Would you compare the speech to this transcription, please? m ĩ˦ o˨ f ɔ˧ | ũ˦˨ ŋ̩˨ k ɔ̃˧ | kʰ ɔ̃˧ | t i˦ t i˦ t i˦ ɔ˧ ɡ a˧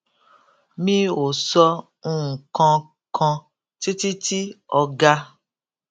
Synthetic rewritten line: m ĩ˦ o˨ s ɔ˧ | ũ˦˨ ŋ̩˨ k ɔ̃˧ | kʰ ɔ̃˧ | t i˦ t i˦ t i˦ ɔ˧ ɡ a˧

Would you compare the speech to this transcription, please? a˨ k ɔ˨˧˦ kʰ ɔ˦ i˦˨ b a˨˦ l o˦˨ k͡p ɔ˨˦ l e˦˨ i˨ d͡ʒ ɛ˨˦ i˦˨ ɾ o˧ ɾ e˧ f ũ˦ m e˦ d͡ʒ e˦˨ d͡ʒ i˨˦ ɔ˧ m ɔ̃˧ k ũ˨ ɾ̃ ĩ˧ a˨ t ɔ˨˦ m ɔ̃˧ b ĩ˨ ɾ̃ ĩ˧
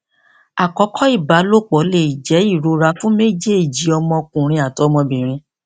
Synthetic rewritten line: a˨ k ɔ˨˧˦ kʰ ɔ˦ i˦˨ b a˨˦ l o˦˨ k͡p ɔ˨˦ l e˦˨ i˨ d͡ʒ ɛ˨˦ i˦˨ ɾ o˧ ɾ a˧ f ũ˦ m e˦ d͡ʒ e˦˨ d͡ʒ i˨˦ ɔ˧ m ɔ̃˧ k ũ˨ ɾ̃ ĩ˧ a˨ t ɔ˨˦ m ɔ̃˧ b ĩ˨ ɾ̃ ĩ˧

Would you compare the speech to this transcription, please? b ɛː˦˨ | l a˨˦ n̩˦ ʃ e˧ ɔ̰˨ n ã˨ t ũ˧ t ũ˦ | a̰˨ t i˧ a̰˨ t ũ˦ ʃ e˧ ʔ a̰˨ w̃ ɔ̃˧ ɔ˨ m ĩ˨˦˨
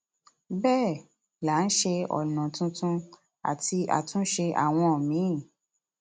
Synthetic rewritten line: b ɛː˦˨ | l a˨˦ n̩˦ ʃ e˧ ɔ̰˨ n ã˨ t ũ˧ t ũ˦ | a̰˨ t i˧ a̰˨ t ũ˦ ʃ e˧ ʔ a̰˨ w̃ ɔ̃˧ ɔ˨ m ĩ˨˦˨

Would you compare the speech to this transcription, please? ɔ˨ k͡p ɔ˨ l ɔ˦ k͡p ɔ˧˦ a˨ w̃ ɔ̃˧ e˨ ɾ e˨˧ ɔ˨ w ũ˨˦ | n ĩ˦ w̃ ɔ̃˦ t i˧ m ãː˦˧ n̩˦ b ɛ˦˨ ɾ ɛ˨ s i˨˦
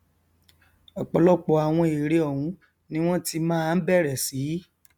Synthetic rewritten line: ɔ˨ k͡p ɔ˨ l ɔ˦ k͡p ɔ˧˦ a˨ w̃ ɔ̃˧ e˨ ɾ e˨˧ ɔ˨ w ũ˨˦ | n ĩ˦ w̃ ɔ̃˦ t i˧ m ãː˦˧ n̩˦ b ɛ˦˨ ɾ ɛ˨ s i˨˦

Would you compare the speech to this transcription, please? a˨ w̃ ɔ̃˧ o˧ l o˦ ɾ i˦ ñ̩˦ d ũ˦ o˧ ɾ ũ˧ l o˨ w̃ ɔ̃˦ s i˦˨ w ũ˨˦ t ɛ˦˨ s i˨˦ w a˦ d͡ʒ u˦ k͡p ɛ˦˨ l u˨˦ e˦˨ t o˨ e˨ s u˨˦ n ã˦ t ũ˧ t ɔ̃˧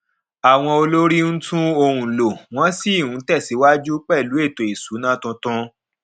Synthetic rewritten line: a˨ w̃ ɔ̃˧ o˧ l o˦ ɾ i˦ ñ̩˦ t ũ˦ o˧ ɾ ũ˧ l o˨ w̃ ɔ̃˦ s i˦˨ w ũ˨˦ t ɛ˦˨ s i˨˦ w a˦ d͡ʒ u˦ k͡p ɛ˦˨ l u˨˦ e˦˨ t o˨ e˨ s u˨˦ n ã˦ t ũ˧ t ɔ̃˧

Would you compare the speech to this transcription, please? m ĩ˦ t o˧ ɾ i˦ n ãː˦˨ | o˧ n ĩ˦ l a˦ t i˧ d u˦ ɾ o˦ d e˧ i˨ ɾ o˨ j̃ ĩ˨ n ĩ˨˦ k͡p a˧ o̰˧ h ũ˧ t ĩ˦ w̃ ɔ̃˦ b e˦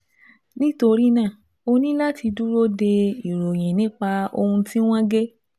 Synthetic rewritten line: n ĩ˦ t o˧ ɾ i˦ n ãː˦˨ | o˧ n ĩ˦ l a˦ t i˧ d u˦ ɾ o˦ d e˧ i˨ ɾ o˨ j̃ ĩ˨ n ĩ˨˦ k͡p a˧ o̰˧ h ũ˧ t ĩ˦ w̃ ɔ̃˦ ɡ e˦

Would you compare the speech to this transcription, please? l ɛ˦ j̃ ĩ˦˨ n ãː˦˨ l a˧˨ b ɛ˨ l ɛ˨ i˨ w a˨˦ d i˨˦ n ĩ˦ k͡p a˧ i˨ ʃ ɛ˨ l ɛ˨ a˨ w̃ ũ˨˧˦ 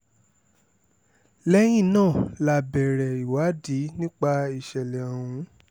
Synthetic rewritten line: l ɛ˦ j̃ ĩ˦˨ n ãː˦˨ l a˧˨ b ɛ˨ ɾ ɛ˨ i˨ w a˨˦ d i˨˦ n ĩ˦ k͡p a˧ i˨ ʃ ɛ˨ l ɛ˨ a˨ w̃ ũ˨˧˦

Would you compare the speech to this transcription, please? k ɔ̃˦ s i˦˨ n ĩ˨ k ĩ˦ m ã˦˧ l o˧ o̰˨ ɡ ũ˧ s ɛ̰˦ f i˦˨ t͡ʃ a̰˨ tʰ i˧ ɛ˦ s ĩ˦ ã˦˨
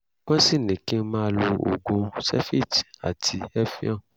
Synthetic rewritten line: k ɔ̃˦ s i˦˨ n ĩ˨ k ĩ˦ m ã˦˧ l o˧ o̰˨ ɡ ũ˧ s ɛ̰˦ f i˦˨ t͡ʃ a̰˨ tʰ i˧ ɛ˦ f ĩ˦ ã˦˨

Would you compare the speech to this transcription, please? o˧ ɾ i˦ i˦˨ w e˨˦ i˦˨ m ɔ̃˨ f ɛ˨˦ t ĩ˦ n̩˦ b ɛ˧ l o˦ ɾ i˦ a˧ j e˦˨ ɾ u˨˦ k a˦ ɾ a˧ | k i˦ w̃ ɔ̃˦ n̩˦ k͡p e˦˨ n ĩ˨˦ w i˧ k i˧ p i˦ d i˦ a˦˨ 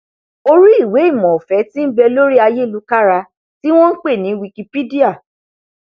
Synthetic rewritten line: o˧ ɾ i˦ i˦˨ w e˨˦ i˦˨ m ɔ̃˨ f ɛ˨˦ t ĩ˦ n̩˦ b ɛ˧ l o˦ ɾ i˦ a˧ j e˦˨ l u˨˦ k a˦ ɾ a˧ | t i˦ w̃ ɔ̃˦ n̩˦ k͡p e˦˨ n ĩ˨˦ w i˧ k i˧ p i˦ d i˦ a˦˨

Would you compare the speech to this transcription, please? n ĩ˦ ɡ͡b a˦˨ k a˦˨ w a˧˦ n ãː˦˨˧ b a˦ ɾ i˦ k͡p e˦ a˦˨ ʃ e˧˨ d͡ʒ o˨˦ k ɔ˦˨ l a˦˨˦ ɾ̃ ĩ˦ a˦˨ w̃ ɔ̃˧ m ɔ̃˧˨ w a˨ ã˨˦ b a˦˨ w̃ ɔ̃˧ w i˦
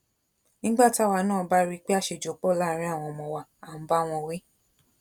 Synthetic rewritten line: n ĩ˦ ɡ͡b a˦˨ t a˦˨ w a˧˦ n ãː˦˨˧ b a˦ ɾ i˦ k͡p e˦ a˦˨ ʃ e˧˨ d͡ʒ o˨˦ k͡p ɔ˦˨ l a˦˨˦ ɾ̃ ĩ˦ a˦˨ w̃ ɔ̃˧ m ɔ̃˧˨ w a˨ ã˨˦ b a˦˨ w̃ ɔ̃˧ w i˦

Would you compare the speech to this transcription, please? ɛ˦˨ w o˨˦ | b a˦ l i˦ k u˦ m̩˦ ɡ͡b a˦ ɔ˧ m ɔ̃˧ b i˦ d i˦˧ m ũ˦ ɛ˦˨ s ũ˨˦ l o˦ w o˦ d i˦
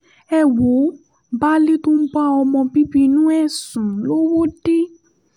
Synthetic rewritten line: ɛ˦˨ w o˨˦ | b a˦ l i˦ t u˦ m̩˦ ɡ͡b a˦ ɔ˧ m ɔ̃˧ b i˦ b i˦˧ n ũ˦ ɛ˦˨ s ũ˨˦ l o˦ w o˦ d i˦

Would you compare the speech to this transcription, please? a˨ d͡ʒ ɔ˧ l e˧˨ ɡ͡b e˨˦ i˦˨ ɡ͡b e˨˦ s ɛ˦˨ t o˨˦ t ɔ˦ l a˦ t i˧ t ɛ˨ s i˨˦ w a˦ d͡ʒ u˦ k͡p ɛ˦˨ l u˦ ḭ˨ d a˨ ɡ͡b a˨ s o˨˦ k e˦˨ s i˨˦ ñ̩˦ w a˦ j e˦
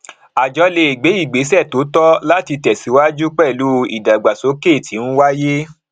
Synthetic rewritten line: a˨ d͡ʒ ɔ˧ l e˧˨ ɡ͡b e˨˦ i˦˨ ɡ͡b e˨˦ s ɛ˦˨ t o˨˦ t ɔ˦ l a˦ t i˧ t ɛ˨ s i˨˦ w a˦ d͡ʒ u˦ k͡p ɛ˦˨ l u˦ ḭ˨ d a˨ ɡ͡b a˨ s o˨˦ k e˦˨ t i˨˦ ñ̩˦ w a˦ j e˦

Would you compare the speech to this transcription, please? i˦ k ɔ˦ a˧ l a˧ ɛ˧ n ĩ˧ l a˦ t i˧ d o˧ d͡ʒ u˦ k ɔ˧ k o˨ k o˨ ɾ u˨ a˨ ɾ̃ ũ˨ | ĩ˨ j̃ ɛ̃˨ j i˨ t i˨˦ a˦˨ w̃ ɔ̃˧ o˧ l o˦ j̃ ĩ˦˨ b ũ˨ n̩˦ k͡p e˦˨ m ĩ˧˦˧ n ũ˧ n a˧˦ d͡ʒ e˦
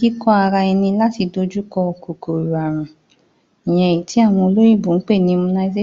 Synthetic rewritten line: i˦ k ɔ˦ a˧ ɾ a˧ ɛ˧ n ĩ˧ l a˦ t i˧ d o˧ d͡ʒ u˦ k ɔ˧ k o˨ k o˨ ɾ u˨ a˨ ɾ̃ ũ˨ | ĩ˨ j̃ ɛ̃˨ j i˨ t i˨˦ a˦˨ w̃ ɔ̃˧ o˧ l o˦ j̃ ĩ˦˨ b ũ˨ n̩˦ k͡p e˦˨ n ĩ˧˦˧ m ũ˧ n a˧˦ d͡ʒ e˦

